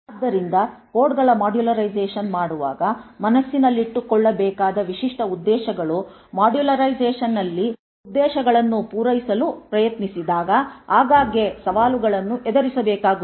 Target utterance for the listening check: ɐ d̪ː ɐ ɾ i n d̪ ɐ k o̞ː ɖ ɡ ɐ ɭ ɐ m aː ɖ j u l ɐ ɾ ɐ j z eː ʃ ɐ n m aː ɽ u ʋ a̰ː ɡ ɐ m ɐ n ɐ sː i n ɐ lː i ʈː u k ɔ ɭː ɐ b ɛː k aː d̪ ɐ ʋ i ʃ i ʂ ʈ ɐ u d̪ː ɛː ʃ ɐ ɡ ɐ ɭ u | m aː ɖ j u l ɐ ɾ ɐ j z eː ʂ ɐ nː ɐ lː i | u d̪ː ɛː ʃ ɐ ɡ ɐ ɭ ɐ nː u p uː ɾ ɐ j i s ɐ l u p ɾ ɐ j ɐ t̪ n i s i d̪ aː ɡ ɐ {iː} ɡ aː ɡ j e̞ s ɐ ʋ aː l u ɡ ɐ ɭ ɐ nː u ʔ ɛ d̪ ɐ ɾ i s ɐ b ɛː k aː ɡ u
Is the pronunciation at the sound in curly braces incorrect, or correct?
incorrect